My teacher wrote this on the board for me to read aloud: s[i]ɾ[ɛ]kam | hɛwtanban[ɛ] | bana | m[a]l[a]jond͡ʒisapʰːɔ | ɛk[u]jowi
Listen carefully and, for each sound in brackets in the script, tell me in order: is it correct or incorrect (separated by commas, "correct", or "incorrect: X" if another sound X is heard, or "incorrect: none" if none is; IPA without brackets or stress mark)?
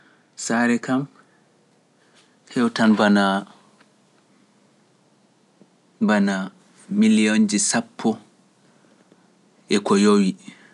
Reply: incorrect: a, correct, incorrect: a, incorrect: i, incorrect: i, incorrect: ɔ